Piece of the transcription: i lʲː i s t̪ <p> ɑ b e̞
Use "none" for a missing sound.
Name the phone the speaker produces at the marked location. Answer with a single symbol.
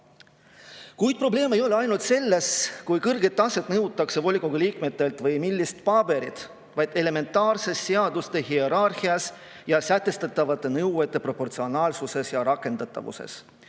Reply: p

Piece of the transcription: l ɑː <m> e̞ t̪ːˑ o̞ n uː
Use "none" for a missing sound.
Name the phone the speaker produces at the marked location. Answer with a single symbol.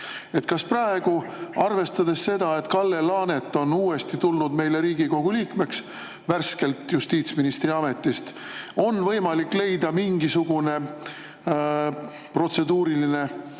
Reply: n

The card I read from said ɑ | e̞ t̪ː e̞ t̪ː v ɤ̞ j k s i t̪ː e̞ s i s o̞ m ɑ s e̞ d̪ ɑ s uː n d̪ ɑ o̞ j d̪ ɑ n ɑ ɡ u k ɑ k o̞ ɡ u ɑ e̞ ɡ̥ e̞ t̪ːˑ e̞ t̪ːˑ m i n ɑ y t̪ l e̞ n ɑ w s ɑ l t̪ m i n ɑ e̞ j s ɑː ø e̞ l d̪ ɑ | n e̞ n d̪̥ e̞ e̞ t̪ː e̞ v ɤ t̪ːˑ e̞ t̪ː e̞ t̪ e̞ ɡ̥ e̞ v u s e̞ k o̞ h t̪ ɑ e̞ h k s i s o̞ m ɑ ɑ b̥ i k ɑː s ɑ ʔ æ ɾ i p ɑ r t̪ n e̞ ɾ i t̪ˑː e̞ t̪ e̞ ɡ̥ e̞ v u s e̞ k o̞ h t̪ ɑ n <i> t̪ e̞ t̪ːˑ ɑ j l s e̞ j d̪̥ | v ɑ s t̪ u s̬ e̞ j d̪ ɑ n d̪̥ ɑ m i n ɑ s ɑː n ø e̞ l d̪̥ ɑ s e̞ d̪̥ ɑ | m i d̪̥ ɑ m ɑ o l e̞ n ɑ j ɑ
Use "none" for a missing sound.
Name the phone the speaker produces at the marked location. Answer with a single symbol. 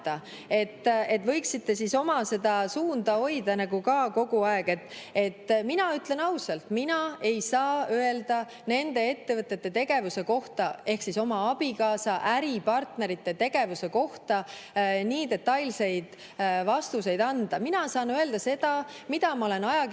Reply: iː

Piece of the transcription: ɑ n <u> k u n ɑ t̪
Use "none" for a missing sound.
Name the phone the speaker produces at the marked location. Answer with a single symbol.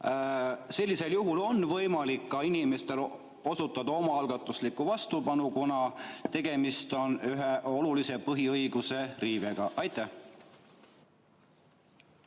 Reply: u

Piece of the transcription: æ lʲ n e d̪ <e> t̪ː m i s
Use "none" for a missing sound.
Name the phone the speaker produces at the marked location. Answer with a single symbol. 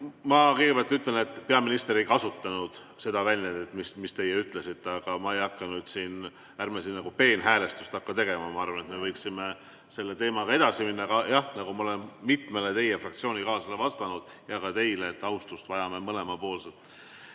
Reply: e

